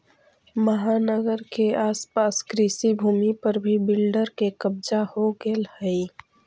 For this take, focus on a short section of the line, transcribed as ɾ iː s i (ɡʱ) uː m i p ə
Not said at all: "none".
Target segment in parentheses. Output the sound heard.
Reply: bʱ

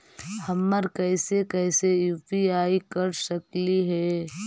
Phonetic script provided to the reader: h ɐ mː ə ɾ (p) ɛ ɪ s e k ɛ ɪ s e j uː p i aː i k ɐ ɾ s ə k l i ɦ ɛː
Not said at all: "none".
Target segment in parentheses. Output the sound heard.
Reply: k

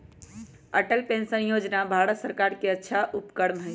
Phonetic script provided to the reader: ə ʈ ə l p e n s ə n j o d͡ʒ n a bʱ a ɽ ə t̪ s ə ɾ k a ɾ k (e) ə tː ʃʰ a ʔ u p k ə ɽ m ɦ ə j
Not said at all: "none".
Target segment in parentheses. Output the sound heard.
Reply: e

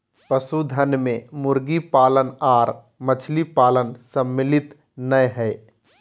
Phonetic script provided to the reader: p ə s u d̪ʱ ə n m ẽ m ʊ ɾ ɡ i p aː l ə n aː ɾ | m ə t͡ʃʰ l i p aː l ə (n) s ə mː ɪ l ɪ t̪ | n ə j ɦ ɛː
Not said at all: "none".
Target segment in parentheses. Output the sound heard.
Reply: n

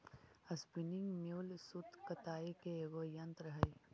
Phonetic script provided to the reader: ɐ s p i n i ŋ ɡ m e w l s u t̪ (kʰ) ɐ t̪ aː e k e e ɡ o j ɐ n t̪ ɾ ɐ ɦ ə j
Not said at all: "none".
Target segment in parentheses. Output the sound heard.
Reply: k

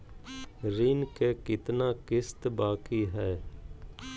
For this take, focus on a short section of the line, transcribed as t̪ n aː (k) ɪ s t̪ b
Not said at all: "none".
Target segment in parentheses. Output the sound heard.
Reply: k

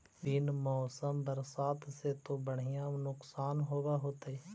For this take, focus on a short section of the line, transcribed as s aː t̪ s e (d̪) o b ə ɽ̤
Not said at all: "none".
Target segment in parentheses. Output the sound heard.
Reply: t̪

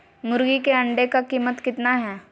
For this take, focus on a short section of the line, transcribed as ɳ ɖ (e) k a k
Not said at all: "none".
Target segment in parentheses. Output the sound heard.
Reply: e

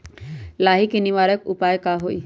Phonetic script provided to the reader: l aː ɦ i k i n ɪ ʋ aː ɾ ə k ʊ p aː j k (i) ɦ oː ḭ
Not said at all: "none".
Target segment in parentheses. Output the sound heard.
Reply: a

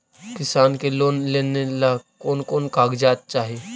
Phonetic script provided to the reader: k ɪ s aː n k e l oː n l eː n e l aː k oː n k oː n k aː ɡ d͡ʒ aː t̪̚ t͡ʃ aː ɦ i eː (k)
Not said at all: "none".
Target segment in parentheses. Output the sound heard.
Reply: none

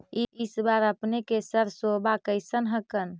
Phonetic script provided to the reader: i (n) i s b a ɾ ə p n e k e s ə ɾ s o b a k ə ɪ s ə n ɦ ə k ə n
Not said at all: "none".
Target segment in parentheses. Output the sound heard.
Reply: none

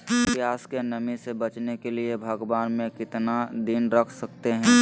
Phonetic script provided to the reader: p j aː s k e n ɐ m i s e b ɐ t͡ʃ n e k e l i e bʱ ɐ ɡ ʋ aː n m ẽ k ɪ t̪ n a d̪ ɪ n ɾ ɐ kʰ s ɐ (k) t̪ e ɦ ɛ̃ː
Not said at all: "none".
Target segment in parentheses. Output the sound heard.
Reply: k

